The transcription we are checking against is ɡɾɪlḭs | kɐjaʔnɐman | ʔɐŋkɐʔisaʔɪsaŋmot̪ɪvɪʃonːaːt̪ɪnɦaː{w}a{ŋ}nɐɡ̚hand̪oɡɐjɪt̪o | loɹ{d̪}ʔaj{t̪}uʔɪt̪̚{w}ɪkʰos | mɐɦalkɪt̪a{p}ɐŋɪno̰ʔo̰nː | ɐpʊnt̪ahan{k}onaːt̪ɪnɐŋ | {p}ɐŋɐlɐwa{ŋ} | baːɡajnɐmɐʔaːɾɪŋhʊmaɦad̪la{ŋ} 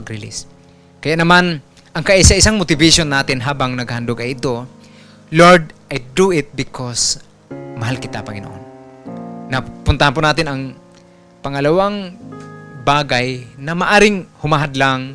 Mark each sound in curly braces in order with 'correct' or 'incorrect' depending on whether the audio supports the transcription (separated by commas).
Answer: incorrect, correct, correct, incorrect, incorrect, correct, incorrect, correct, correct, correct